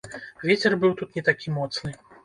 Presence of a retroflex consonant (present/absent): absent